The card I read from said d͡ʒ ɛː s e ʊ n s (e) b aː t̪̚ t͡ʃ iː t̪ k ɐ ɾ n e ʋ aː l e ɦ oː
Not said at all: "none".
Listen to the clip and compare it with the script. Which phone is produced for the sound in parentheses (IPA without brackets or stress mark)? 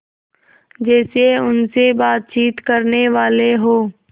e